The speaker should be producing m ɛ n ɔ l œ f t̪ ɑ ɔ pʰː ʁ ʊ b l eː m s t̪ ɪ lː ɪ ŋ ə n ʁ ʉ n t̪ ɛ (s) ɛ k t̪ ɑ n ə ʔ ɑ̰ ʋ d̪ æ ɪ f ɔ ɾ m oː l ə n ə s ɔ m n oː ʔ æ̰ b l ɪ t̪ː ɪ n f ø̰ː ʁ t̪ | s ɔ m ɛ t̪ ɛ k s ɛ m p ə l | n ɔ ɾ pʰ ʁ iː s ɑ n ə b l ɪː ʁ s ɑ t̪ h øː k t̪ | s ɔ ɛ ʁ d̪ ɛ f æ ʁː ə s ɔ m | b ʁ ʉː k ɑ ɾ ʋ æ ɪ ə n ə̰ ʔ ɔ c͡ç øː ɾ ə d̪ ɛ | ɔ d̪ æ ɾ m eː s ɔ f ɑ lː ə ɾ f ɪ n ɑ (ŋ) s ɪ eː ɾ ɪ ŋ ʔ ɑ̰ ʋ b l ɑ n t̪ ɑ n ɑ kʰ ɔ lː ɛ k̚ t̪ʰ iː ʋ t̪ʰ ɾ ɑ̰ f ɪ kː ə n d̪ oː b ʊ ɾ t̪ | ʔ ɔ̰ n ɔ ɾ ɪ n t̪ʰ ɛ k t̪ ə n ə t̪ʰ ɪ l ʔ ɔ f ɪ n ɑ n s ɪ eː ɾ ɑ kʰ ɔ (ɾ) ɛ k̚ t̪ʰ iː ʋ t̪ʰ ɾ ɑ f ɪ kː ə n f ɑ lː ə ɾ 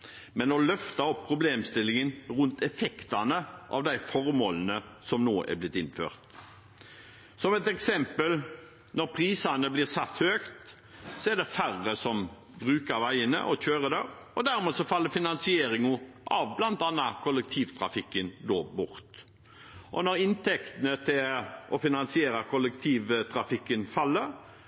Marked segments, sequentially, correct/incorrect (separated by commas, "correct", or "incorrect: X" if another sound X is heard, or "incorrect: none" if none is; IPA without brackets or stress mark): incorrect: f, incorrect: n, incorrect: l